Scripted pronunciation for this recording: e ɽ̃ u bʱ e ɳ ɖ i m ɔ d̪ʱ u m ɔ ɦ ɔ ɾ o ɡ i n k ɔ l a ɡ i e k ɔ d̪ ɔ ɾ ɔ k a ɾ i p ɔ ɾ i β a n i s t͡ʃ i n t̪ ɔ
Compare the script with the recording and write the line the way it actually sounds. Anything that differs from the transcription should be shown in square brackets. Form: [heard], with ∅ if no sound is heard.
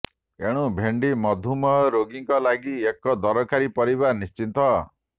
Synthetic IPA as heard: e ɽ̃ u bʱ e ɳ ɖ i m ɔ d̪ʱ u m ɔ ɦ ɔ ɾ o ɡ i [ŋ] k ɔ l a ɡ i e k ɔ d̪ ɔ ɾ ɔ k a ɾ i p ɔ ɾ i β a n i s t͡ʃ i n t̪ ɔ

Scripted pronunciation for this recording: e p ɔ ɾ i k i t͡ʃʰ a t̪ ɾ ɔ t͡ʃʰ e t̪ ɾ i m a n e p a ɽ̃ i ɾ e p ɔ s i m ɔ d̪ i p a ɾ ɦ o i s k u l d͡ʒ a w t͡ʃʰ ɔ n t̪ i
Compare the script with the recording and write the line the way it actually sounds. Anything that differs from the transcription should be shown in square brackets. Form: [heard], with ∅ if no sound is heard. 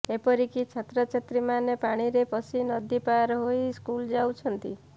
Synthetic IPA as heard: e p ɔ ɾ i k i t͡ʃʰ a t̪ ɾ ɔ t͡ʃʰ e t̪ ɾ i m a n e p a ɽ̃ i ɾ e p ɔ s i [n] ɔ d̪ i p a ɾ ɦ o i s k u l d͡ʒ a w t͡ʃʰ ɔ n t̪ i

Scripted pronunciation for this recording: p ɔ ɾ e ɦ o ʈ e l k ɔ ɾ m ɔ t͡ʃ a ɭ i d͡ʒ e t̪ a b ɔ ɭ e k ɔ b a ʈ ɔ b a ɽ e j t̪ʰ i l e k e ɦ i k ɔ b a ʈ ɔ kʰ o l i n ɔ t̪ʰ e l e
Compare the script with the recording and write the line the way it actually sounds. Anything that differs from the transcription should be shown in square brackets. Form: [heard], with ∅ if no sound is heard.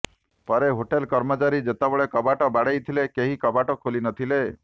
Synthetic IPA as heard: p ɔ ɾ e ɦ o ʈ e l k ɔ ɾ m ɔ t͡ʃ a [ɾ] i d͡ʒ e t̪ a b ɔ ɭ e k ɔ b a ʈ ɔ b a ɽ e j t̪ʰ i l e k e ɦ i k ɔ b a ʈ ɔ kʰ o l i n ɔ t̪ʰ [i] l e

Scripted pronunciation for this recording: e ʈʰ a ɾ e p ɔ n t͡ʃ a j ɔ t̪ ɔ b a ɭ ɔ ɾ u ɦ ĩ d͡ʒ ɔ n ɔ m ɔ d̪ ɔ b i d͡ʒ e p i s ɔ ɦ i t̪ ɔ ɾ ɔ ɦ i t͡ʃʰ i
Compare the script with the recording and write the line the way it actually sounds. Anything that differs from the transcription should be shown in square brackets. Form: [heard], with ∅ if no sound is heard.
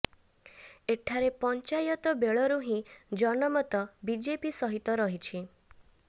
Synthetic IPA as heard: e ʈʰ a ɾ e p ɔ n t͡ʃ a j ɔ t̪ ɔ b [e] ɭ ɔ ɾ u ɦ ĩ d͡ʒ ɔ n ɔ m ɔ [t̪] ɔ b i d͡ʒ e p i s ɔ ɦ i t̪ ɔ ɾ ɔ ɦ i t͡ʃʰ i

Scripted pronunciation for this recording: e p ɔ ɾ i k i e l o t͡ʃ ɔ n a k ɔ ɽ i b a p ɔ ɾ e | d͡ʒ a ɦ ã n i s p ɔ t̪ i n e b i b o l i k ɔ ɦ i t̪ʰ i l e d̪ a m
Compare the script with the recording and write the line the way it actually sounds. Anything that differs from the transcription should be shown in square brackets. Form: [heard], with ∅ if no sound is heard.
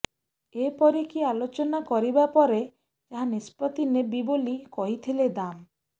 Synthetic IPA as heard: e p ɔ ɾ i k i [a] l o t͡ʃ ɔ n a k ɔ [ɾ] i b a p ɔ ɾ e | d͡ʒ a ɦ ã n i s p ɔ t̪ i n e b i b o l i k ɔ ɦ i t̪ʰ i l e d̪ a m

